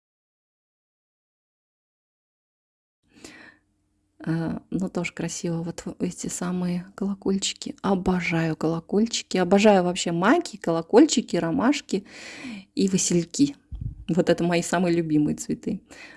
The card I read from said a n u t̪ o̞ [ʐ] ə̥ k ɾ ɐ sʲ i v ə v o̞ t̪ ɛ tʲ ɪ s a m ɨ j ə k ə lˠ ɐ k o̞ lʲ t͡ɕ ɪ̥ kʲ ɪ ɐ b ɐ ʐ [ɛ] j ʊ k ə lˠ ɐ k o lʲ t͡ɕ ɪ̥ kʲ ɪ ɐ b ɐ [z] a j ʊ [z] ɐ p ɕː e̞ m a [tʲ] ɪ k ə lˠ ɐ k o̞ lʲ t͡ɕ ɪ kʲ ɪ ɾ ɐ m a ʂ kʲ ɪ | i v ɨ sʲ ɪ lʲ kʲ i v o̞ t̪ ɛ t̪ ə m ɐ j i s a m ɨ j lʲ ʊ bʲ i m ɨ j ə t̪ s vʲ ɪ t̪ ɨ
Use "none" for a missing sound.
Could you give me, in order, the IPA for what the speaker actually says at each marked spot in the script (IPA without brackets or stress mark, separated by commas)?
ʐ, a, ʐ, v, kʲ